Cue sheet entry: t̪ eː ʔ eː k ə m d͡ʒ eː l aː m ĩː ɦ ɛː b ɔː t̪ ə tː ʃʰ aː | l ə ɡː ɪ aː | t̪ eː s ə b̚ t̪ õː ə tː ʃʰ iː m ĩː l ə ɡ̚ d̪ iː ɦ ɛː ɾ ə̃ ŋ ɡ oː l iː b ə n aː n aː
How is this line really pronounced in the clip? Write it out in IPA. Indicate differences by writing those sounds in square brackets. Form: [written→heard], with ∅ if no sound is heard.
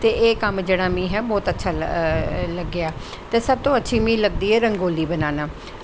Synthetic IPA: t̪ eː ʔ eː k ə m d͡ʒ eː [l→ɽ] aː m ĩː ɦ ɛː b ɔː t̪ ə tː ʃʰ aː | l ə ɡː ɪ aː | t̪ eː s ə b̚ t̪ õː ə tː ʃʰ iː m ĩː l ə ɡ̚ d̪ iː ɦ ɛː ɾ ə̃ ŋ ɡ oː l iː b ə n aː n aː